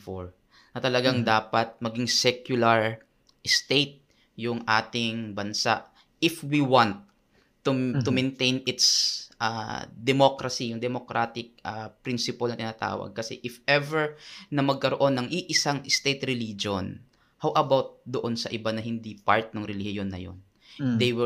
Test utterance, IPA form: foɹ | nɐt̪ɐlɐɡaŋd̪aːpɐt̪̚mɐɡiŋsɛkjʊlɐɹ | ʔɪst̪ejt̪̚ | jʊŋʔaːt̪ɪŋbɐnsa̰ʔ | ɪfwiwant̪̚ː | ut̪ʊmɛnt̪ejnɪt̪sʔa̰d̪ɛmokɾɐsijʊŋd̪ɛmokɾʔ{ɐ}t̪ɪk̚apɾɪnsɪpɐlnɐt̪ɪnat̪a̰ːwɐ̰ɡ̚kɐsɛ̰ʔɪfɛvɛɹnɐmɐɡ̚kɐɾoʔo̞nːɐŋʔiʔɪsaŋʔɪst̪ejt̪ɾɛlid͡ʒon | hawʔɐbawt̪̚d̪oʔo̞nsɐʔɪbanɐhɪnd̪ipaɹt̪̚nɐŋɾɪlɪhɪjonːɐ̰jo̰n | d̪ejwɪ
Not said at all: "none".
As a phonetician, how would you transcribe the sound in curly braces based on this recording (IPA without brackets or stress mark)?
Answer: a